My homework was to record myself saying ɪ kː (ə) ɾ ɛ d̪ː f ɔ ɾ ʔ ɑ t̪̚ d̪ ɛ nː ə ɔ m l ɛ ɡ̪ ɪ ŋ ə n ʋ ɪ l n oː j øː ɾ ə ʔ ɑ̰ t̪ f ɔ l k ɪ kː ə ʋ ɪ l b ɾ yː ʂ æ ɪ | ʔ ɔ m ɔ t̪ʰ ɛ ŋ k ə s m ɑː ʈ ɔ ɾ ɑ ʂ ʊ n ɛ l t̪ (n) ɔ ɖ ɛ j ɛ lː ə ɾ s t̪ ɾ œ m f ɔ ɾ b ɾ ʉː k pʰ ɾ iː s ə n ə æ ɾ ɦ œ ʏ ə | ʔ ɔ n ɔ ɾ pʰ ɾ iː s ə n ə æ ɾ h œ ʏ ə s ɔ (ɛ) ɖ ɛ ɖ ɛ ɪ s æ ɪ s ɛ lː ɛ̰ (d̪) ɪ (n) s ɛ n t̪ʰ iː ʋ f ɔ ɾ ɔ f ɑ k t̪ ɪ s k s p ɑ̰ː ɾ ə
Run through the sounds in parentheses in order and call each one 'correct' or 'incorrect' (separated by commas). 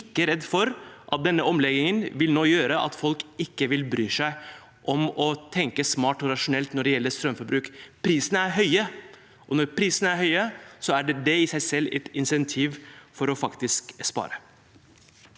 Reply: correct, correct, incorrect, incorrect, correct